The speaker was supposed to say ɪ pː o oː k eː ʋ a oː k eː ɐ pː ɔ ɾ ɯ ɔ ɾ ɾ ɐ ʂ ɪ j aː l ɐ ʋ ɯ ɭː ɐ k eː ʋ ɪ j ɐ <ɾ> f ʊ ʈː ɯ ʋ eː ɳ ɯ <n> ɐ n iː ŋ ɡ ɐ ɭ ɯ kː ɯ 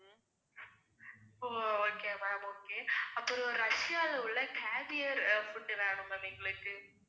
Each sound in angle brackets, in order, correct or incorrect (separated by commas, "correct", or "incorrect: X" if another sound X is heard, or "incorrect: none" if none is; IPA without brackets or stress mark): correct, incorrect: m